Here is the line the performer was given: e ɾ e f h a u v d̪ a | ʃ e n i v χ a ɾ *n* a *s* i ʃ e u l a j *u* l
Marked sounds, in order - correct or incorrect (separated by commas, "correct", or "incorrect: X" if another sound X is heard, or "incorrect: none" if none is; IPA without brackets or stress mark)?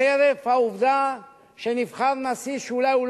correct, correct, correct